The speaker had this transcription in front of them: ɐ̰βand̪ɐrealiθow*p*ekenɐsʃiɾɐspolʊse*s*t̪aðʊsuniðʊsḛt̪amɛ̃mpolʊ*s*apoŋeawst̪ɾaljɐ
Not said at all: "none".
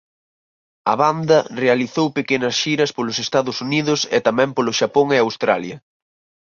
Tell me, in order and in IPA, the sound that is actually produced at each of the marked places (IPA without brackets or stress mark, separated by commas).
p, s, ʃ